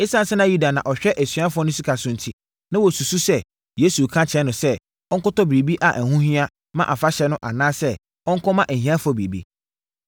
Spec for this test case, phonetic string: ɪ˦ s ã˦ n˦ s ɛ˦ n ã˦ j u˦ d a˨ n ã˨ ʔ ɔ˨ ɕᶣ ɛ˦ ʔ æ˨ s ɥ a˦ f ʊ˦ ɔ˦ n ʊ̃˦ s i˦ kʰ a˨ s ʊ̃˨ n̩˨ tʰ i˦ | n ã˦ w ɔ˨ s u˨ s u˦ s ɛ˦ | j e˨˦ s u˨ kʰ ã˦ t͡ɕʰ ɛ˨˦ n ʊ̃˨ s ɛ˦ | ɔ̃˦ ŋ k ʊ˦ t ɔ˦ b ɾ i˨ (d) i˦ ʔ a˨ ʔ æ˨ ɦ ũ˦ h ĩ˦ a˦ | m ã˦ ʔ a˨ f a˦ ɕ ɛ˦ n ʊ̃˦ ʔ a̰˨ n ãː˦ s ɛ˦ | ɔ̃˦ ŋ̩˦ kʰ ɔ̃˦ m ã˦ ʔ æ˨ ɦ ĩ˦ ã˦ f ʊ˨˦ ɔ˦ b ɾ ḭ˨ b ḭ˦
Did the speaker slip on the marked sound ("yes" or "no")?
yes